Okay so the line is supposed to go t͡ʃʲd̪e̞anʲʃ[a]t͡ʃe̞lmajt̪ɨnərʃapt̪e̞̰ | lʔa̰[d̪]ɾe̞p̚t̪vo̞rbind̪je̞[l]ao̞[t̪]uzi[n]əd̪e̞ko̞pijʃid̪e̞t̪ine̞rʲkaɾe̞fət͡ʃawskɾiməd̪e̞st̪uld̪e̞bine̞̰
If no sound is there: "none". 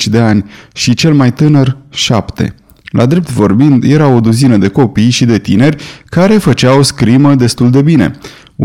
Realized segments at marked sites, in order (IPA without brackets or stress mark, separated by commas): i, d̪, ɾ, d̪, n